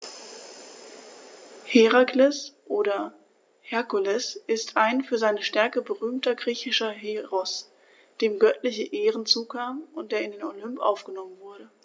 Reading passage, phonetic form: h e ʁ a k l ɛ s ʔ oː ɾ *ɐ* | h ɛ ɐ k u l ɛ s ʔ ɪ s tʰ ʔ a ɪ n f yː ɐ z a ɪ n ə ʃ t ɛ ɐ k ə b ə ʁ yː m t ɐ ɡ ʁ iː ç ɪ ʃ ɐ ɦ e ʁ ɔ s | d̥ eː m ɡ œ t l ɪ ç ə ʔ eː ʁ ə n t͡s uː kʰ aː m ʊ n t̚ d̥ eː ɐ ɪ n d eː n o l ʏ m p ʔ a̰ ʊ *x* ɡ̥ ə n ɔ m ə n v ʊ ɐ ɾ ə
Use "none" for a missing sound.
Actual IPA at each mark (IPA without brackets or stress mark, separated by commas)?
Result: ɐ, f